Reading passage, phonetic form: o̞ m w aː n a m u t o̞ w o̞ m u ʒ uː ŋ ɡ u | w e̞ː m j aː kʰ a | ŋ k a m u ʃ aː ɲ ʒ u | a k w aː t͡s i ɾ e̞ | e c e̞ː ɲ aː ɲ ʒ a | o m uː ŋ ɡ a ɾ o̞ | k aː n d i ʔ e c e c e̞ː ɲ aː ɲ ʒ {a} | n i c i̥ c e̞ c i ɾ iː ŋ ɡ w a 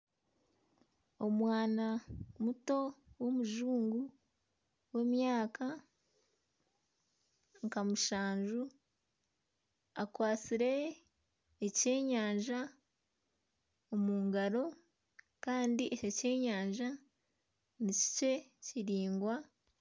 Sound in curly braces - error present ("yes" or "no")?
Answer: no